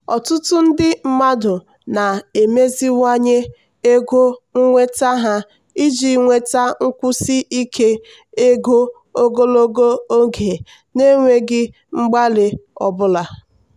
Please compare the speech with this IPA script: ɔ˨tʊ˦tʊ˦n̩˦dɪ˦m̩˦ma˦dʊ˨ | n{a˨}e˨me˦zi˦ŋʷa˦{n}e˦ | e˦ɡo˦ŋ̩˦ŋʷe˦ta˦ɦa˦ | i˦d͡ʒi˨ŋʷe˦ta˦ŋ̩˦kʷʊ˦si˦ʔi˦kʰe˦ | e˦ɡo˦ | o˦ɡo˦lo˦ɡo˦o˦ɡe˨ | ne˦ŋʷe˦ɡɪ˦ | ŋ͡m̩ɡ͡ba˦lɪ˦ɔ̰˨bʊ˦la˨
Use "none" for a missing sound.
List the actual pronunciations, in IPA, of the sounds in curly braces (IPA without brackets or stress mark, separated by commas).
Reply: a˨, ɲ